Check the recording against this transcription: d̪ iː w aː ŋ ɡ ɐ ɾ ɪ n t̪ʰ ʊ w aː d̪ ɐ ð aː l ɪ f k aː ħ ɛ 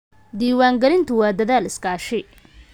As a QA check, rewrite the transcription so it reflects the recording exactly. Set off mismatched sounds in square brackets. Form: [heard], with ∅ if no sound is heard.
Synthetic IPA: d̪ iː w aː ŋ ɡ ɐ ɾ ɪ n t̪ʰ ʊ w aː d̪ ɐ ð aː l ɪ [s] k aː [ʃ] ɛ